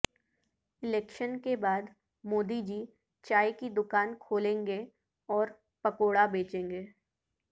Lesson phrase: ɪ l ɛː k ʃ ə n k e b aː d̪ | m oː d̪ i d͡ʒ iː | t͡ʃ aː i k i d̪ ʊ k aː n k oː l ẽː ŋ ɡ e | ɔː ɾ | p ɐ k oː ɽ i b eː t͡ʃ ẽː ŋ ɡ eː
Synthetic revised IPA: ɪ l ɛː k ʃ ə n k e b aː d̪ | m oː d̪ i d͡ʒ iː | t͡ʃ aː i k i d̪ ʊ k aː n kʰ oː l ẽː ŋ ɡ e | ɔː ɾ | p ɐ k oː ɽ a b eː t͡ʃ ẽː ŋ ɡ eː